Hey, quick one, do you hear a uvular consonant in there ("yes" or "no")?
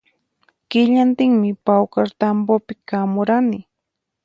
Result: no